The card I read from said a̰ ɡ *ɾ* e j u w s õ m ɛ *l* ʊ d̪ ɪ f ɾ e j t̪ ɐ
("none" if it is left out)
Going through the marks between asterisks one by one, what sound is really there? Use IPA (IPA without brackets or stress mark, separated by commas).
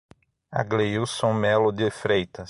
l, l